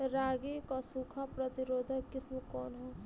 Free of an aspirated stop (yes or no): no